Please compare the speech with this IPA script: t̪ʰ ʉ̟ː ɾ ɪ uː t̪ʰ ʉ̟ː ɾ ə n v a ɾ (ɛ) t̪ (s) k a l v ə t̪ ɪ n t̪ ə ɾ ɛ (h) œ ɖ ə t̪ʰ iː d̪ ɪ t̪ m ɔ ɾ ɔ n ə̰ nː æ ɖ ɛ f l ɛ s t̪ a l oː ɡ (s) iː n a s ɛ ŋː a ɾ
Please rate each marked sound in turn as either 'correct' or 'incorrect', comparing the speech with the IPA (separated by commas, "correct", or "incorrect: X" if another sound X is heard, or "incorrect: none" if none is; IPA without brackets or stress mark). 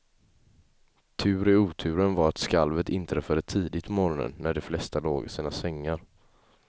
incorrect: a, correct, incorrect: f, correct